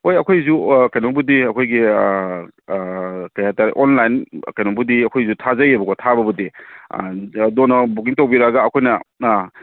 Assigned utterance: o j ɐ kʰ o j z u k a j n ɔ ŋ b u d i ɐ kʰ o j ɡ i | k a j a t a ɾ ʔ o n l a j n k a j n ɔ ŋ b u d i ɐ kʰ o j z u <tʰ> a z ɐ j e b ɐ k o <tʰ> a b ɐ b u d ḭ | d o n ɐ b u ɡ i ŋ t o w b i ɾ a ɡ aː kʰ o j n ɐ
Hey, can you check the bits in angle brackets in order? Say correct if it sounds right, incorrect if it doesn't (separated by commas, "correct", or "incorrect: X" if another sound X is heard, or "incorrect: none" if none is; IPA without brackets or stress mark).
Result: correct, correct